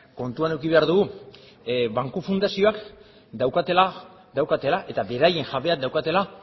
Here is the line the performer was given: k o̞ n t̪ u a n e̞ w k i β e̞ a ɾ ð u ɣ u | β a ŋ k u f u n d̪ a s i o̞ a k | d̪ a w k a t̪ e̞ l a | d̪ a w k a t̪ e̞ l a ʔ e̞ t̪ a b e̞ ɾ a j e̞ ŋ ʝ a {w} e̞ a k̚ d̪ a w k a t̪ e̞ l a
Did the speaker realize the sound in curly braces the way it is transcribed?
no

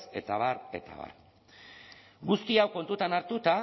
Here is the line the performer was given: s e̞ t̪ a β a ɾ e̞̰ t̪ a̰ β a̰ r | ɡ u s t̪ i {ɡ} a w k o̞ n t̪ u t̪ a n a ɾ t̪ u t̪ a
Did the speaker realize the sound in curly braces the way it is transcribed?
no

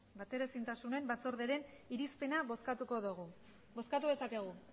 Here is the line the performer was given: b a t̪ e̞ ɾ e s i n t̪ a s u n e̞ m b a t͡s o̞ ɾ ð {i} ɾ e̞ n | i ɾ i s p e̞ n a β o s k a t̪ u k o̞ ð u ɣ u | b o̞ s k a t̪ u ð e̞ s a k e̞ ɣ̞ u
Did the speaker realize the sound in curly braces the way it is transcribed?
no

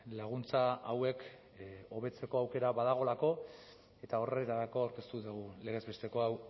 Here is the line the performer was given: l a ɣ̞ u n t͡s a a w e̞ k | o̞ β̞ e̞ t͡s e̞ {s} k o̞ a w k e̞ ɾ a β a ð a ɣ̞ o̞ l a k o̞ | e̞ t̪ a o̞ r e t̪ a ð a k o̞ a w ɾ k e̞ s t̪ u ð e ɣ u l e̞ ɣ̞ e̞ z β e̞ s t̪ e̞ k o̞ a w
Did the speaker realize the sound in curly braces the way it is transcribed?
no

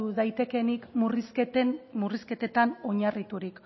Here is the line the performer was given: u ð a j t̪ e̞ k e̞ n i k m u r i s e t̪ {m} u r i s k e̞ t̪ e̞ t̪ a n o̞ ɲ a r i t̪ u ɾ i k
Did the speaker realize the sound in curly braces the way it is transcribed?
yes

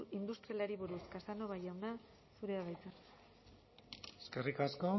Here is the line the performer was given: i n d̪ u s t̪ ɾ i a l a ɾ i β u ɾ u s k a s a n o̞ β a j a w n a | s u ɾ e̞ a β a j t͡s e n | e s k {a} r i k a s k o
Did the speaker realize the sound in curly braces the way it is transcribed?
no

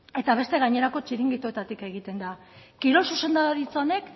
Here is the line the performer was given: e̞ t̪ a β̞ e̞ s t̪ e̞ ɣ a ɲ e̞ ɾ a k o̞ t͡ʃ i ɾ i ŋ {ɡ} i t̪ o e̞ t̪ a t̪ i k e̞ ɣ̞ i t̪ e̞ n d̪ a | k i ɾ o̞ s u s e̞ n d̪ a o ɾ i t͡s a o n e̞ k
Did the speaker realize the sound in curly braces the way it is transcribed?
yes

